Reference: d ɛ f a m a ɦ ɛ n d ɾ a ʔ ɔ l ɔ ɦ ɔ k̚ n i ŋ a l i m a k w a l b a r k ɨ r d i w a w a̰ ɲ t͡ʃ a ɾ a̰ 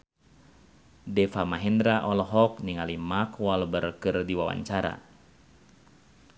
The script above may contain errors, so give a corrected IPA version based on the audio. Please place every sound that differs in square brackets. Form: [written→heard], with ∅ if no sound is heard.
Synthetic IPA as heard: d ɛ f a m a ɦ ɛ n d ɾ a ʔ ɔ l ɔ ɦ ɔ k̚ n i ŋ a l i m a k w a l b [a→ə] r k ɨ r d i w a w a̰ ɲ t͡ʃ a ɾ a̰